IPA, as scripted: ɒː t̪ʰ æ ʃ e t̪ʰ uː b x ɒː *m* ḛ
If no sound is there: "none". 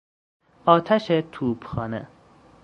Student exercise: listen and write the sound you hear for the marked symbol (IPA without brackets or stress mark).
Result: n